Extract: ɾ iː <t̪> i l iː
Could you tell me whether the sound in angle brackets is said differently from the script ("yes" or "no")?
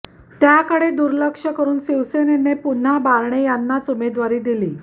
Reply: yes